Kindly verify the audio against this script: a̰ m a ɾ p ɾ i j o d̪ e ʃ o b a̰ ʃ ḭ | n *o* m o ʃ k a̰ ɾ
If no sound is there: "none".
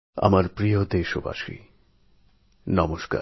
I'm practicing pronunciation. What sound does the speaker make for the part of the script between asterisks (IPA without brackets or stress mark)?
ɔ